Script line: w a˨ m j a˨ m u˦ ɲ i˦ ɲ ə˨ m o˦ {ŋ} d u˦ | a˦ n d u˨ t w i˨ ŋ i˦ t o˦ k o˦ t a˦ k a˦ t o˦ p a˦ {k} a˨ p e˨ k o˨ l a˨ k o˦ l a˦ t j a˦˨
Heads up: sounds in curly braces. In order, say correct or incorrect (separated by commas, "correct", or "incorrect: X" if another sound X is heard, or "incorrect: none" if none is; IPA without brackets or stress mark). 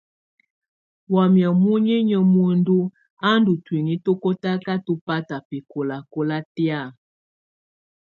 incorrect: n, incorrect: t